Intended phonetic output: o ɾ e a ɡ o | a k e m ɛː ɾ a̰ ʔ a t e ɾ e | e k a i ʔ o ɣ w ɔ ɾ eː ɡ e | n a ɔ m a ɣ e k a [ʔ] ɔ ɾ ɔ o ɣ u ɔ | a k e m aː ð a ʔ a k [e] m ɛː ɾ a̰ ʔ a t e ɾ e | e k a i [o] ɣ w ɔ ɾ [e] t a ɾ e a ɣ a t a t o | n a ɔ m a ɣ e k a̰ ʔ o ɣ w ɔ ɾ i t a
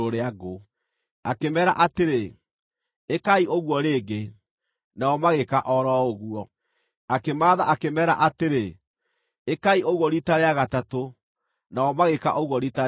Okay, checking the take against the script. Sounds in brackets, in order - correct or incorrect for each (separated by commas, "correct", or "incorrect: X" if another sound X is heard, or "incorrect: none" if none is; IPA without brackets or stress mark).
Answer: correct, correct, correct, incorrect: i